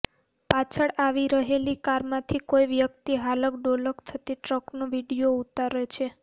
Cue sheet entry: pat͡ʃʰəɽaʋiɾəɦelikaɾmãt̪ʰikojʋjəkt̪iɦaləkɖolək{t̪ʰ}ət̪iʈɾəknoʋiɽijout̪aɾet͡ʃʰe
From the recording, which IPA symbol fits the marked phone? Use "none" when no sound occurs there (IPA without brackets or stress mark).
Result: t̪ʰ